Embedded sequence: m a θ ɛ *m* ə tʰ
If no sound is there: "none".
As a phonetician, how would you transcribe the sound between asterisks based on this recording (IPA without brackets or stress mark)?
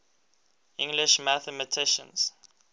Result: m